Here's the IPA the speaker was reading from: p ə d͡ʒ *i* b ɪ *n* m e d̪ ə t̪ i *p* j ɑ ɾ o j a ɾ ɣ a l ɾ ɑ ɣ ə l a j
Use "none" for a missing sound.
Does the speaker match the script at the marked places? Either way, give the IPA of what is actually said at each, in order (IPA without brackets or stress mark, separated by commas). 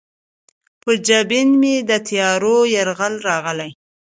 a, n, none